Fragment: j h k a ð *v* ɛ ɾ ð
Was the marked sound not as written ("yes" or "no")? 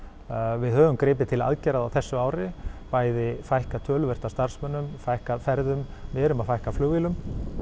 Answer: yes